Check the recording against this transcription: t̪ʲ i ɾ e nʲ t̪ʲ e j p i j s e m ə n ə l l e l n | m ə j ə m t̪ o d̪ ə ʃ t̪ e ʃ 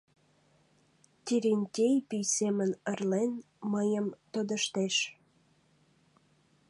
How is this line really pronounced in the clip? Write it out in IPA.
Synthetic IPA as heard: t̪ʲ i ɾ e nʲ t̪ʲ e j p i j s e m ə n ə r l e n | m ə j ə m t̪ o d̪ ə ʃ t̪ e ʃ